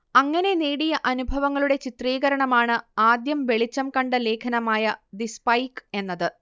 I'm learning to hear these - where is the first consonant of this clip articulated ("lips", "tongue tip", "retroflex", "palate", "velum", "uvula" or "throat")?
velum